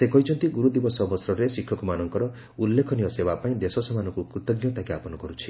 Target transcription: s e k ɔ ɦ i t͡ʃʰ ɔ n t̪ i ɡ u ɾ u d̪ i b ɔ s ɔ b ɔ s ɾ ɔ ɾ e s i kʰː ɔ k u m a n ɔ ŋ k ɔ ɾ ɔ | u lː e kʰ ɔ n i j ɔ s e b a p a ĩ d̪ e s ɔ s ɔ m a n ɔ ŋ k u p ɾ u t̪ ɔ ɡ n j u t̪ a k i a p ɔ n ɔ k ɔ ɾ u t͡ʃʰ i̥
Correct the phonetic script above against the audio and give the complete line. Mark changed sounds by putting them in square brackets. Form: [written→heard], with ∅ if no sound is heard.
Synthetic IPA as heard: s e k ɔ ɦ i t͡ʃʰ ɔ n t̪ i ɡ u ɾ u d̪ i b ɔ s ɔ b ɔ s ɾ ɔ ɾ e s i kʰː ɔ k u m a n ɔ ŋ k ɔ ɾ ɔ | u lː e kʰ ɔ n i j ɔ s e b a p a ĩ d̪ e s ɔ s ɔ m a n ɔ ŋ k u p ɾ u t̪ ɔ ɡ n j [u→ɔ] t̪ a k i a p ɔ n ɔ k ɔ ɾ u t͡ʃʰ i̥